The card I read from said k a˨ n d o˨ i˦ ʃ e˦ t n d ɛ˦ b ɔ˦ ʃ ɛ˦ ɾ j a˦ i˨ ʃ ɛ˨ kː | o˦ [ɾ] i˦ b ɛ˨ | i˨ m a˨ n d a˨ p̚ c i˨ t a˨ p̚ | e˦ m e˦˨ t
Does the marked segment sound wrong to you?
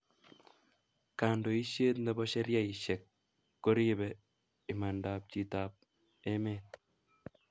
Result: no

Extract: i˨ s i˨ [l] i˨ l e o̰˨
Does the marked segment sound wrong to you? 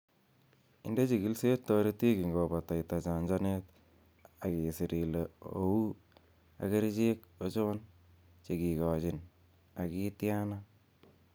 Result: yes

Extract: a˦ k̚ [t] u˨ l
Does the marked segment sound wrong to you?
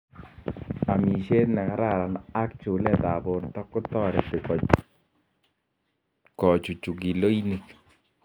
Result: yes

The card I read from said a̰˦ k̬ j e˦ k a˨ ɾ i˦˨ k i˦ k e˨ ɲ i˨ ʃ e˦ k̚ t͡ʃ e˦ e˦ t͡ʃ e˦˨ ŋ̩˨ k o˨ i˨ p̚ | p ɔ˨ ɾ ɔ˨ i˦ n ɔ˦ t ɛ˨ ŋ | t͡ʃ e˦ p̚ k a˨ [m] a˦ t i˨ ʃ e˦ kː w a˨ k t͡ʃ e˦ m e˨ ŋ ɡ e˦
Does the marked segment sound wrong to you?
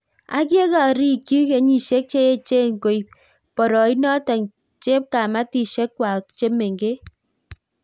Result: no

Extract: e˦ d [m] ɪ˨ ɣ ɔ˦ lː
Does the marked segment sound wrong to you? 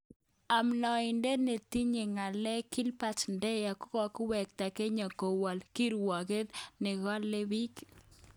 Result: yes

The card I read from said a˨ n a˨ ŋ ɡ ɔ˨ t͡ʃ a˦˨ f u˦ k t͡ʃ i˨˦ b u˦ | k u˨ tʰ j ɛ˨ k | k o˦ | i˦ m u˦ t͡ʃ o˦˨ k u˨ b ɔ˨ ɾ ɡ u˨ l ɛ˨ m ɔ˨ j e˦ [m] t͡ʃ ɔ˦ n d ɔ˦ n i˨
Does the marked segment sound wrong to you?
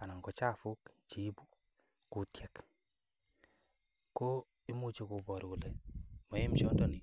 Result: no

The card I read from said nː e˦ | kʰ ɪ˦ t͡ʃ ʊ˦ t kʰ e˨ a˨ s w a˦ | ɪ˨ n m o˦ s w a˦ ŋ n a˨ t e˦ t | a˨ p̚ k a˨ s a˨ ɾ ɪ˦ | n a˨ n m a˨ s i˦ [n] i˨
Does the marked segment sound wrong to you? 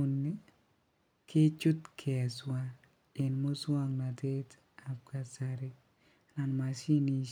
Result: no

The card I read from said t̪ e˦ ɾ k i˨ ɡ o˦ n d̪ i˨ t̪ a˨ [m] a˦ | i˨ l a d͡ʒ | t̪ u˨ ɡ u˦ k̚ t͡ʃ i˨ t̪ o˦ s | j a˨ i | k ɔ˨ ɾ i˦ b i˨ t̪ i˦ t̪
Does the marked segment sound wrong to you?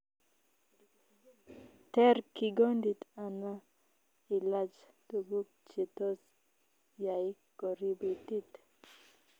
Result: yes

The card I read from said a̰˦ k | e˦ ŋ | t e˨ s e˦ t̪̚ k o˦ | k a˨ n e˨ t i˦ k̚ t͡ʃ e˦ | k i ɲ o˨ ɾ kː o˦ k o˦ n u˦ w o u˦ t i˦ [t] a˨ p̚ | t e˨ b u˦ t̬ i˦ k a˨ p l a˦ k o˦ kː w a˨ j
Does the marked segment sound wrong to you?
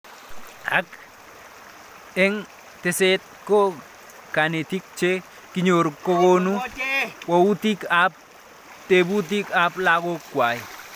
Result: yes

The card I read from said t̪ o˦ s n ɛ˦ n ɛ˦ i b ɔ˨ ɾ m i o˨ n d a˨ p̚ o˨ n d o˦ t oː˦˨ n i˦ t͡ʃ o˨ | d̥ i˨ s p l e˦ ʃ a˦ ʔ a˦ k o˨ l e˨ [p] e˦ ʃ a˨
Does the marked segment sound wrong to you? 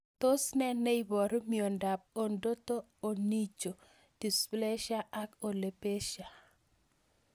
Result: no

